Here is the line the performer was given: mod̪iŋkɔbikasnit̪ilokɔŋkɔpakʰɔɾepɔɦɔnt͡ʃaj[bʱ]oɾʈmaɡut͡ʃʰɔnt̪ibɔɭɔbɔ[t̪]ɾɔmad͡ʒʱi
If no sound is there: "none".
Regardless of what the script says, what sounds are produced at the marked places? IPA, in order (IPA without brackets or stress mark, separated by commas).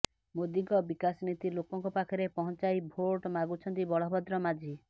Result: bʱ, d̪